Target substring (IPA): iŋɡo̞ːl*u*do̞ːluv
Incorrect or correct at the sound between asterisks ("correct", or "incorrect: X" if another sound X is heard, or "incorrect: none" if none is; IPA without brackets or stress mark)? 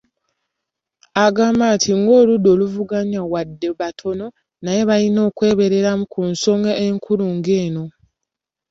correct